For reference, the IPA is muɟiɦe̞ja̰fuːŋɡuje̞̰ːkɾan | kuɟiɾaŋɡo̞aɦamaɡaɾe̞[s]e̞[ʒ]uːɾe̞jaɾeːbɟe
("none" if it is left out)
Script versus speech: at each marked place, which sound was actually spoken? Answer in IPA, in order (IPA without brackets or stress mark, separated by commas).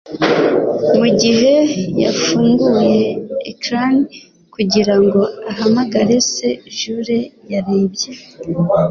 s, ʒ